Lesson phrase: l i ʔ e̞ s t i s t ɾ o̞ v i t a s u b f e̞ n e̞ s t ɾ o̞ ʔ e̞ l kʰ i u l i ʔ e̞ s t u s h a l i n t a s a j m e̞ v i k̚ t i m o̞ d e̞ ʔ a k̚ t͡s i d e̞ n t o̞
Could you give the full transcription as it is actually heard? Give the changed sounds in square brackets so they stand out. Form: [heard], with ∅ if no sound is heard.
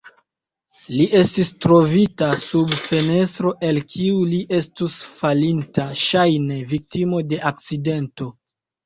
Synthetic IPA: l i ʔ e̞ s t i s t ɾ o̞ v i t a s u b f e̞ n e̞ s t ɾ o̞ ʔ e̞ l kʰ i u l i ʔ e̞ s t u s [f] a l i n t a [ʃ] a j [n] e̞ v i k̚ t i m o̞ d e̞ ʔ a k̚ t͡s i d e̞ n t o̞